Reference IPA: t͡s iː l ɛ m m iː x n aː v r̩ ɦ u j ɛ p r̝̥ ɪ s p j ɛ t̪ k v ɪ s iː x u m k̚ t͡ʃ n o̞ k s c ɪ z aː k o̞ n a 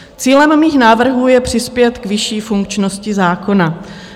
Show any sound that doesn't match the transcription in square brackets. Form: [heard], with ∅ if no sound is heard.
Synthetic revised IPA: t͡s iː l ɛ m m iː x n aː v r̩ ɦ [uː] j ɛ p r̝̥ ɪ s p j ɛ t̪ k v ɪ [ʃ] iː [f] u [ŋ] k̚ t͡ʃ n o̞ [∅] s c ɪ z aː k o̞ n a

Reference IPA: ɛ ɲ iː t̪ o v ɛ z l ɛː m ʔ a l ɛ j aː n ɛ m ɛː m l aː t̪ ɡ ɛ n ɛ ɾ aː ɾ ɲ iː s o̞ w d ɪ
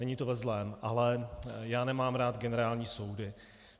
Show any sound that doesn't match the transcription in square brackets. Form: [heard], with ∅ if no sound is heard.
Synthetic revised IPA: ɛ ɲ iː t̪ o v ɛ z l ɛː m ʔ a l ɛ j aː n ɛ m [aː] m [ɾ] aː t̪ ɡ ɛ n ɛ ɾ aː [l] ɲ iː s o̞ w d ɪ

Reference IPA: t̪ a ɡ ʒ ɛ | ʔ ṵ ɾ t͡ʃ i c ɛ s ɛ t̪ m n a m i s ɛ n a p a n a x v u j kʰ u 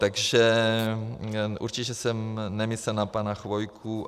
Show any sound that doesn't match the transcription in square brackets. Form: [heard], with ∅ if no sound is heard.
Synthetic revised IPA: t̪ a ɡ ʒ ɛ | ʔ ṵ ɾ t͡ʃ i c ɛ s ɛ [∅] m n [ɛ] m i s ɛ n a p a n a x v [o] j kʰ u

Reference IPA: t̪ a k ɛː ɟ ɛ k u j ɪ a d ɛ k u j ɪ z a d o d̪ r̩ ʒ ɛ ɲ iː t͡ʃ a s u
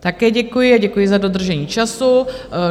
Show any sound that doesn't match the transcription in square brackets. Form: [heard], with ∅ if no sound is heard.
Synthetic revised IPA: t̪ a k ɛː ɟ ɛ k u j ɪ a [ɟ] ɛ k u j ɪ z a d o d̪ r̩ ʒ ɛ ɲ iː t͡ʃ a s u

